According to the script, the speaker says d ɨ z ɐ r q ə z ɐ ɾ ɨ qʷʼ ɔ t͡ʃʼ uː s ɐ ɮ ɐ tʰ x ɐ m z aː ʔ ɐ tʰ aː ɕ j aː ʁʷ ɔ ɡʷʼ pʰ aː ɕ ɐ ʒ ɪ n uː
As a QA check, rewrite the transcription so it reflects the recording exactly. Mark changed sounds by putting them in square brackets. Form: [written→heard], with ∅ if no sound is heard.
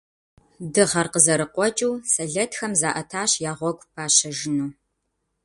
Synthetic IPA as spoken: d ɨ [z→ʁ] ɐ r q ə z ɐ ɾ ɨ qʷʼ ɔ t͡ʃʼ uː s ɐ ɮ ɐ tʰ x ɐ m z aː ʔ ɐ tʰ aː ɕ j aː ʁʷ ɔ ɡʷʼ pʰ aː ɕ ɐ ʒ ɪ n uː